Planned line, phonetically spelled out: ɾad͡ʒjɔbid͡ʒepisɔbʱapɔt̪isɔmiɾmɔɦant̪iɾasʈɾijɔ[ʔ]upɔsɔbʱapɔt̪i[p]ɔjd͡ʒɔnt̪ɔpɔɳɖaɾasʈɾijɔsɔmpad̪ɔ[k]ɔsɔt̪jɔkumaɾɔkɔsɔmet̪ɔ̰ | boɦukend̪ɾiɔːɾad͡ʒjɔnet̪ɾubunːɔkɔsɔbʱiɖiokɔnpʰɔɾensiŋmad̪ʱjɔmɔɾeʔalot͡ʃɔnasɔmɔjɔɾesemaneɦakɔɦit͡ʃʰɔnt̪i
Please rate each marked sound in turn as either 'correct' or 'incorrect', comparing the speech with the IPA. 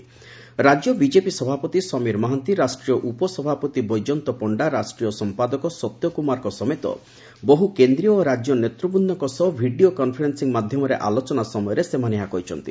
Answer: correct, incorrect, correct

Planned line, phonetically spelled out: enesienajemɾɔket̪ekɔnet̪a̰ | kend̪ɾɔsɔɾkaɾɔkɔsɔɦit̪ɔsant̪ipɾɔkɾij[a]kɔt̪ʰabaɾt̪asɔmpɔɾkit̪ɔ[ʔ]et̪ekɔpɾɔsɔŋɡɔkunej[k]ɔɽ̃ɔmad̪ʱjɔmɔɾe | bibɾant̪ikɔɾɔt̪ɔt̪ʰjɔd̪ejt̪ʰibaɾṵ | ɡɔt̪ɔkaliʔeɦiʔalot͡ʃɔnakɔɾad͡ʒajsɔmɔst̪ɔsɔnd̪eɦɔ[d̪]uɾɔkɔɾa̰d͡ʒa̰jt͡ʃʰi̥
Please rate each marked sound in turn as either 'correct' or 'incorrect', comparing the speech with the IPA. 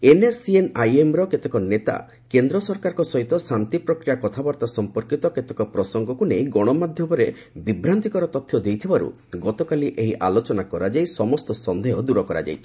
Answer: correct, incorrect, incorrect, correct

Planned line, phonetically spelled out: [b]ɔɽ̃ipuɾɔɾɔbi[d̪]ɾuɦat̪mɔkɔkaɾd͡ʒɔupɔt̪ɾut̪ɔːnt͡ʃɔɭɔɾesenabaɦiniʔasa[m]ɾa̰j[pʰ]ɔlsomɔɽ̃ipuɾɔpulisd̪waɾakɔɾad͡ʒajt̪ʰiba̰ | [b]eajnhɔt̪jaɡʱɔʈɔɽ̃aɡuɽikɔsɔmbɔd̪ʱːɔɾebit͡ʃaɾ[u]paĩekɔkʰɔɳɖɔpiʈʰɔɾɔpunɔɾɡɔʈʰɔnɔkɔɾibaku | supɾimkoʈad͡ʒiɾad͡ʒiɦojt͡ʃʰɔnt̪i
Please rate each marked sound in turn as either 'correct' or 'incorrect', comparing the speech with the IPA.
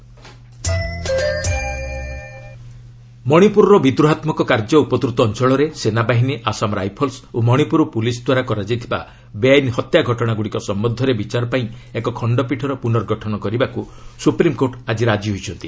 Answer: incorrect, correct, correct, correct, correct, incorrect

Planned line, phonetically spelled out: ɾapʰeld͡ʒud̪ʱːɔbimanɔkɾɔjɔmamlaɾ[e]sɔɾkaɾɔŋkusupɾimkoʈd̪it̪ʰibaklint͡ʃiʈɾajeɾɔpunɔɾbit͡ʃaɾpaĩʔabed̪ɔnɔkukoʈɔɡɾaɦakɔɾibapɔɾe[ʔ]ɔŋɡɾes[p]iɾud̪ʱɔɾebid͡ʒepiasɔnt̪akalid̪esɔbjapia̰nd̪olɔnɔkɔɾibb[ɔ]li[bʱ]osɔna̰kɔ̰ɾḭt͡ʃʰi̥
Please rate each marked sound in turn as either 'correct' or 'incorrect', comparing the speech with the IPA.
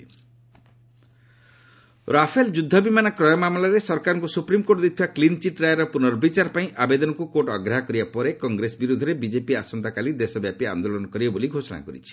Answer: correct, incorrect, incorrect, incorrect, incorrect

